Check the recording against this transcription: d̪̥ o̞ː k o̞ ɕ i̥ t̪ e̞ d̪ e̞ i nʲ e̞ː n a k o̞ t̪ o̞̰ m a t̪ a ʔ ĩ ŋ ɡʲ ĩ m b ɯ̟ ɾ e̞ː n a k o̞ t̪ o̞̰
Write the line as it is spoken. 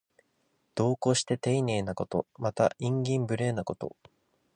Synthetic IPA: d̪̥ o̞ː k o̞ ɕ i̥ t̪ e̞ t̪ e̞ i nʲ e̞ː n a k o̞ t̪ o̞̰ m a t̪ a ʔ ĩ ŋ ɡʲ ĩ m b ɯ̟ ɾ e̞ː n a k o̞ t̪ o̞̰